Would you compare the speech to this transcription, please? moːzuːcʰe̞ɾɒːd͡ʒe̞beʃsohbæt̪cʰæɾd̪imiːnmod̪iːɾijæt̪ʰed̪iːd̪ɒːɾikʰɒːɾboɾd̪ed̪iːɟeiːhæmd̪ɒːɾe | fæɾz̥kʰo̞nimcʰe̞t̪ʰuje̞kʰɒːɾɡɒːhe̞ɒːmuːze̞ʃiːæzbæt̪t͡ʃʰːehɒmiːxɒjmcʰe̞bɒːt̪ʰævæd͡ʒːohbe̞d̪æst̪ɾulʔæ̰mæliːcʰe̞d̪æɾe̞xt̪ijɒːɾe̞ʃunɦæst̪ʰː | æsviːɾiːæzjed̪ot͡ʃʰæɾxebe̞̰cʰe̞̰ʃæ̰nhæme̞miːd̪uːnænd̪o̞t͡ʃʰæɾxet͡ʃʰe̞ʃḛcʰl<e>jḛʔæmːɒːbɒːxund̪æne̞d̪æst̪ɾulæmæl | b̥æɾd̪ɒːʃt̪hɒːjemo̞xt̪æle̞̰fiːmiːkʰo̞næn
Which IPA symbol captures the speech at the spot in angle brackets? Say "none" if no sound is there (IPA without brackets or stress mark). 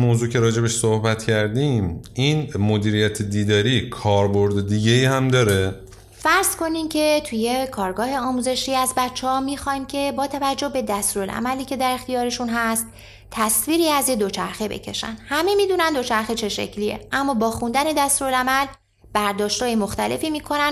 i